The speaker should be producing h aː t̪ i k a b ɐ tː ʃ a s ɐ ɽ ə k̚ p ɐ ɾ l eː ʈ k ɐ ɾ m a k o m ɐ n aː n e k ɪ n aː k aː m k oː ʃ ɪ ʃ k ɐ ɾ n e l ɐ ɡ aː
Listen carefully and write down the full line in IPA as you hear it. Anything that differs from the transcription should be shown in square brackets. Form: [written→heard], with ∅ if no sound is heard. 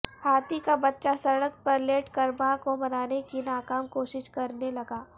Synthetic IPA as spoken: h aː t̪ i k a b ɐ tː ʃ a s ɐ ɽ ə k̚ p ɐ ɾ l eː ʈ k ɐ ɾ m a k o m ɐ n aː n e k [ɪ→i] n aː k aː m k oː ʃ ɪ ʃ k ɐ ɾ n e l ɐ ɡ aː